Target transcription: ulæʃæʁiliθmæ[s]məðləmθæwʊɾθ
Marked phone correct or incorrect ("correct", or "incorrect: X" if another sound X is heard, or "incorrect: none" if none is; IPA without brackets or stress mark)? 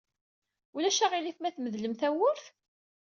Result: incorrect: θ